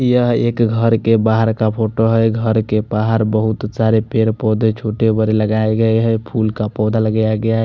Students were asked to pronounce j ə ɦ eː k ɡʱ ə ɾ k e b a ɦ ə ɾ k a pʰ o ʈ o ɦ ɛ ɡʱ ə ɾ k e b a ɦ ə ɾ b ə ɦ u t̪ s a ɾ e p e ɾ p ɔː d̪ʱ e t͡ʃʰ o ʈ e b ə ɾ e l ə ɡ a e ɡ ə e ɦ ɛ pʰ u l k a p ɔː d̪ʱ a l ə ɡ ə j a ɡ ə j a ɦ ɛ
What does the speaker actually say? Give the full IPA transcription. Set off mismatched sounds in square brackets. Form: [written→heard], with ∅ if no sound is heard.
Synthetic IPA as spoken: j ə ɦ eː k ɡʱ ə ɾ k e b a ɦ ə ɾ k a pʰ o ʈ o ɦ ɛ ɡʱ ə ɾ k e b a ɦ ə ɾ b ə ɦ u t̪ s a ɾ e p e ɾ p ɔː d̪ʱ e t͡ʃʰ o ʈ e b ə ɾ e l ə ɡ a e ɡ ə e ɦ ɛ pʰ u l k a p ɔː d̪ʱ a l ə ɡ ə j a ɡ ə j a ɦ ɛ